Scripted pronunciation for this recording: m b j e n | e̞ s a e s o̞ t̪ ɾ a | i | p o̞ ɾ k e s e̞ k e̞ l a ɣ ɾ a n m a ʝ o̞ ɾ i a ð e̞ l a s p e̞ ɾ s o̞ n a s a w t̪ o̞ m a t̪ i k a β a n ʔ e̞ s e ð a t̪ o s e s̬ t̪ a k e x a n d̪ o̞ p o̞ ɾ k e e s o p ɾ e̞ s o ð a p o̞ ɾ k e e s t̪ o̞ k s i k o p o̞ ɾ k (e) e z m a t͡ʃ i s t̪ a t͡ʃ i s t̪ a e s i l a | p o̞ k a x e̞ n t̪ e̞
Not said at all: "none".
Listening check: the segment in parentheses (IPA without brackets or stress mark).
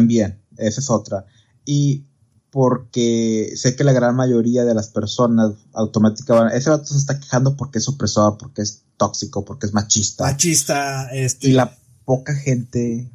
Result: e